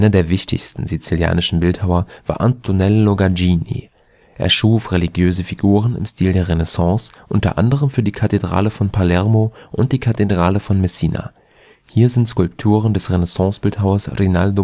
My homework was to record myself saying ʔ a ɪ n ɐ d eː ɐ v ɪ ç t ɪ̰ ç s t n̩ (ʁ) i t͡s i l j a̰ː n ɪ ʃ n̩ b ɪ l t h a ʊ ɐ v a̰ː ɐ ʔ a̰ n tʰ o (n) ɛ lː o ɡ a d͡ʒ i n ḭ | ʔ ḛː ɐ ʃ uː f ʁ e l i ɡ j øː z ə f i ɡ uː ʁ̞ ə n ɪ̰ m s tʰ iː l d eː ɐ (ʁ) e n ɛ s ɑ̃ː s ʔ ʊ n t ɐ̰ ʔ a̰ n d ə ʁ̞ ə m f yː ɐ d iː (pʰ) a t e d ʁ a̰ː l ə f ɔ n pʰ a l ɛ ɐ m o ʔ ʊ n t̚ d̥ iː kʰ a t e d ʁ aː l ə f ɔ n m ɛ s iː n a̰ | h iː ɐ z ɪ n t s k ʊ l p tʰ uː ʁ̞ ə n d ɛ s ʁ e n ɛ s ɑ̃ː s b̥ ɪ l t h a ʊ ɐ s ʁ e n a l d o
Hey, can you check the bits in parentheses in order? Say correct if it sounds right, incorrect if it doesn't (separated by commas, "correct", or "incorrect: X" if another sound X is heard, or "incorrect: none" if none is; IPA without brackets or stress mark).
incorrect: z, correct, correct, incorrect: kʰ